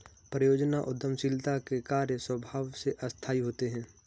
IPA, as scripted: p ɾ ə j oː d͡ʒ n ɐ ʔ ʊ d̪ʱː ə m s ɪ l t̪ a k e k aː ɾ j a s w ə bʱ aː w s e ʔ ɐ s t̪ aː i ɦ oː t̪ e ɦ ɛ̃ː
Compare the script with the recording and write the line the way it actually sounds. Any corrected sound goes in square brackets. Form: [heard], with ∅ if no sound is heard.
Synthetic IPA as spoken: p ɾ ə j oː d͡ʒ n [a] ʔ ʊ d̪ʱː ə m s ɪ l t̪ a k e k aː ɾ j [ə] s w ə bʱ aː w s e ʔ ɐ s [t̪ʰ] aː i ɦ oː t̪ e ɦ ɛ̃ː